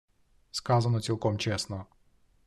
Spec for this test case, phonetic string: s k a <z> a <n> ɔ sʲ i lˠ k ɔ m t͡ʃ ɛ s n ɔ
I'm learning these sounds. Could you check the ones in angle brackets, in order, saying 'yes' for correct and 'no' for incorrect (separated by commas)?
yes, yes